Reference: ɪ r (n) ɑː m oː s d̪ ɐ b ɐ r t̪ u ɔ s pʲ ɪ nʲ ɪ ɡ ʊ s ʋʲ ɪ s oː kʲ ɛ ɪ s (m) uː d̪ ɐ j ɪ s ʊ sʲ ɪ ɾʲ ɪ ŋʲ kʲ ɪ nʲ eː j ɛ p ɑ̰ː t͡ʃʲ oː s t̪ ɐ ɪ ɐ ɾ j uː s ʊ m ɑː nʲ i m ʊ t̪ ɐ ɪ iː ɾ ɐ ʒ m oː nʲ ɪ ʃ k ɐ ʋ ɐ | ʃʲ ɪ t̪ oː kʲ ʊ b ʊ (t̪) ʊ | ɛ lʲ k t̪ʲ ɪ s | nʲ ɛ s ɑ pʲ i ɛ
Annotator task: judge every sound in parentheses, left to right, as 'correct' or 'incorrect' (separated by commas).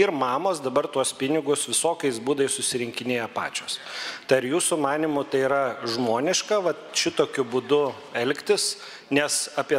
incorrect, incorrect, incorrect